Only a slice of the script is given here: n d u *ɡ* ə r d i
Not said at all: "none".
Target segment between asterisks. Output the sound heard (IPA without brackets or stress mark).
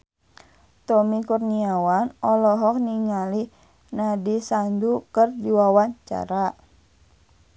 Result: k